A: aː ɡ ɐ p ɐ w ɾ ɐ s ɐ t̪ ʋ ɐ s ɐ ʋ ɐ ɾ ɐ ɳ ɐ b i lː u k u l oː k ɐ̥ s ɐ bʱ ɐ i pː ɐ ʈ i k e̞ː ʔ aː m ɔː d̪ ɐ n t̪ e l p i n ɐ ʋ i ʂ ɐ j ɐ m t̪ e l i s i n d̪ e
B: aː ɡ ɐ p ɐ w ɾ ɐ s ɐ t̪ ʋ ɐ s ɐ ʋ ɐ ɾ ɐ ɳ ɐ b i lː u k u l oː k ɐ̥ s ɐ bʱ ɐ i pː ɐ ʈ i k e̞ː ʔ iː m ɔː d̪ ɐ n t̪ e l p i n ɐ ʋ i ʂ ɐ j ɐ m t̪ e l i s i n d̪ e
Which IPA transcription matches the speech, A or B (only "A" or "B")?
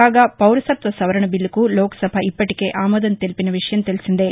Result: A